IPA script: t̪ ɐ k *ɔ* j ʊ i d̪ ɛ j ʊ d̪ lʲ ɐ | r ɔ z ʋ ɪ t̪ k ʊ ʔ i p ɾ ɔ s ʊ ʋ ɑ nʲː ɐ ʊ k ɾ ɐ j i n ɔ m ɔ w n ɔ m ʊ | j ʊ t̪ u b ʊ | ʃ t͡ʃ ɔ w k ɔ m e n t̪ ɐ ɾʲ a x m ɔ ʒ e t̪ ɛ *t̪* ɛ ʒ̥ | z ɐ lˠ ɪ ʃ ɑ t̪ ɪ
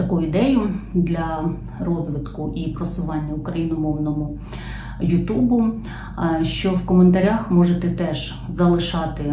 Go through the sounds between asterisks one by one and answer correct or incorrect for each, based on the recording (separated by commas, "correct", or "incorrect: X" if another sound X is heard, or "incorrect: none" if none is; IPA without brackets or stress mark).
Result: incorrect: u, correct